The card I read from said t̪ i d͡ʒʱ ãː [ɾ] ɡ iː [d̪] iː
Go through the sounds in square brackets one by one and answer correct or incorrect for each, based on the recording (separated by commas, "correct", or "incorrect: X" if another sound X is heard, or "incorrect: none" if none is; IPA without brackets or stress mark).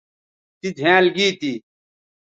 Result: incorrect: l, incorrect: t̪